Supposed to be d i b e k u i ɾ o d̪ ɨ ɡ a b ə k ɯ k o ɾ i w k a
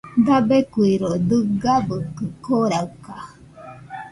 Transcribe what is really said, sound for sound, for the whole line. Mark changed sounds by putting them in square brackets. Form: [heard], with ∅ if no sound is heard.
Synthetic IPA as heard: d [a] b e k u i ɾ o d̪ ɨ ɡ a b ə k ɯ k o ɾ [a] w k a